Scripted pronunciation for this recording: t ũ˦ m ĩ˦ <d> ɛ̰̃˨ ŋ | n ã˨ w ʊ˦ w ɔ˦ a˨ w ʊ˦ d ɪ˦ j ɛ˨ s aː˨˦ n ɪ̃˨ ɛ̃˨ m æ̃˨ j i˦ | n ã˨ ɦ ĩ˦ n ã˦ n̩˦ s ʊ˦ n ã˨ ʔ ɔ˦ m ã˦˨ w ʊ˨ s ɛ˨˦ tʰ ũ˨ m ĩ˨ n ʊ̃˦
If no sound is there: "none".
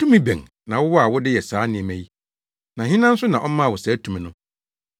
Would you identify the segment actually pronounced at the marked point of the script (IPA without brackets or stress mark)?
b